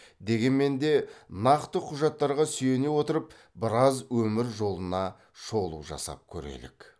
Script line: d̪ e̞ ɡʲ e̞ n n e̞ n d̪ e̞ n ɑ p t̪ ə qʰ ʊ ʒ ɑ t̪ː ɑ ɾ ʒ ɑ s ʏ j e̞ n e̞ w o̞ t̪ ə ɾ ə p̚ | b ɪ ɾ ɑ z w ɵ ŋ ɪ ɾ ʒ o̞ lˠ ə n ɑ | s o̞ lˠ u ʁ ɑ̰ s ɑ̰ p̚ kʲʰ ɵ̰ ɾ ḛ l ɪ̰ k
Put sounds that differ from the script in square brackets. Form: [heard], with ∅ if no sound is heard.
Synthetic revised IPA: d̪ e̞ ɡʲ e̞ n [m] e̞ n d̪ e̞ n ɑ [q] t̪ ə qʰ ʊ ʒ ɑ t̪ː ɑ ɾ [ʁ] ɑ s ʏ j e̞ n e̞ w o̞ t̪ ə ɾ ə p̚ | b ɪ ɾ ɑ z w ɵ [m] ɪ ɾ ʒ o̞ lˠ ə n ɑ | [ʃ] o̞ lˠ u [ʒ] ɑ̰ s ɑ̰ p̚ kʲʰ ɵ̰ ɾ ḛ l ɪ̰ k